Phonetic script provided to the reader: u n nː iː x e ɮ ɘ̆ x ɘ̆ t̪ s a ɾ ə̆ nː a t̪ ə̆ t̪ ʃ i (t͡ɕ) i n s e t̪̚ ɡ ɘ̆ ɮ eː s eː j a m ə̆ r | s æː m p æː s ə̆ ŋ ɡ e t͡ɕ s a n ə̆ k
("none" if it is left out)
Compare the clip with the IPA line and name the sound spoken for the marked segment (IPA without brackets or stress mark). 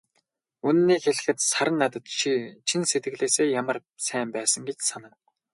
t͡ɕʰ